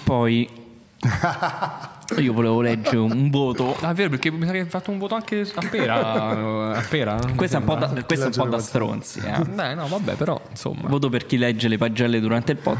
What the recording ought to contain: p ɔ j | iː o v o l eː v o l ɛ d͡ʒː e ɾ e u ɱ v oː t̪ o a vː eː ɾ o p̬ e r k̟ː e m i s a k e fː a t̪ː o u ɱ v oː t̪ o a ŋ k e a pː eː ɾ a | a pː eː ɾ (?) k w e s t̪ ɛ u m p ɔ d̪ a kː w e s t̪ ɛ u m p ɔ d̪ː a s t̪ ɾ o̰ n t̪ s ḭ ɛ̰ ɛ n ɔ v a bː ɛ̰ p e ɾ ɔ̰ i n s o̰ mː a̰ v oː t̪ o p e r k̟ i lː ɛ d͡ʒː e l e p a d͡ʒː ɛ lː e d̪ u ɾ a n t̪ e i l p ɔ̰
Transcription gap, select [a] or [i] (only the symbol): a